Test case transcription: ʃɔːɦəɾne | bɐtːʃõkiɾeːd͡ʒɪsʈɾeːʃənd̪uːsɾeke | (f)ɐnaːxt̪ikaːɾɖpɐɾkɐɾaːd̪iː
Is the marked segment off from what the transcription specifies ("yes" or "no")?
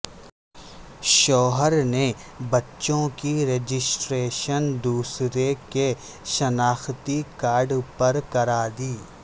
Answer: yes